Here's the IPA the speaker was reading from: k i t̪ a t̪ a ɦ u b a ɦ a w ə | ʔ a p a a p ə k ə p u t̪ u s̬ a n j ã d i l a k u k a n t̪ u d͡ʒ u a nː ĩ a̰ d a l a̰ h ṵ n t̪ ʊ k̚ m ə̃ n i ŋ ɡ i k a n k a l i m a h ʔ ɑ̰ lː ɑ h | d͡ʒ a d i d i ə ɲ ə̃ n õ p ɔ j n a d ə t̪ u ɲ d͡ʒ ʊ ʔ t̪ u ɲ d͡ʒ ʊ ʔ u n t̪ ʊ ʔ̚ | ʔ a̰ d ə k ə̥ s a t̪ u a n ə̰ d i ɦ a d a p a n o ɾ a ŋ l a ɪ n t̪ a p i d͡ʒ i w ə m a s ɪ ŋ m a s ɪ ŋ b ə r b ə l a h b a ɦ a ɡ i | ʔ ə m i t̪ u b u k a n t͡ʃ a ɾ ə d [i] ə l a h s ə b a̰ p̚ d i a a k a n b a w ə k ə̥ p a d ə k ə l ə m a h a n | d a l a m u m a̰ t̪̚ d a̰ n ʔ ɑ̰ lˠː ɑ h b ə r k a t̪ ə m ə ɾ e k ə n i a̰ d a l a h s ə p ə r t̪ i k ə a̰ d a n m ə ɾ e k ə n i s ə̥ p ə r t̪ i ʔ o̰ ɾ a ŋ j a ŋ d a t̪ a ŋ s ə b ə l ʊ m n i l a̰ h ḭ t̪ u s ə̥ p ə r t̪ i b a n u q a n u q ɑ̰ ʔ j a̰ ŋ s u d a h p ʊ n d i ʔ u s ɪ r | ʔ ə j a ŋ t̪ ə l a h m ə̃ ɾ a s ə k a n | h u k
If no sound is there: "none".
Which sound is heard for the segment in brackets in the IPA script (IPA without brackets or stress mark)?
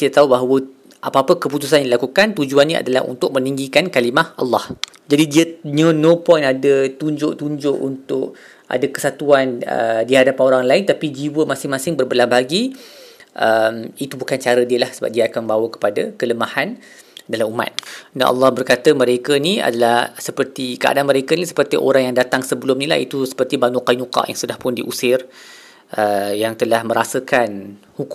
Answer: i